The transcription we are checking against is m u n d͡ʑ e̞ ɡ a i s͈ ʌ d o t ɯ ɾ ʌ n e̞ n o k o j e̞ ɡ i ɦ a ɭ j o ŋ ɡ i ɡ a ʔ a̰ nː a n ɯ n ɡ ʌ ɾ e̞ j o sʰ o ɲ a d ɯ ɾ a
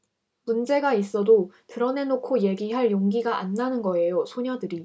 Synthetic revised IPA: m u n d͡ʑ e̞ ɡ a i s͈ ʌ d o t ɯ ɾ ʌ n e̞ n o kʰ o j e̞ ɡ i ɦ a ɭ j o ŋ ɡ i ɡ a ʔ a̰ nː a n ɯ n ɡ ʌ e̞ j o sʰ o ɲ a d ɯ ɾ i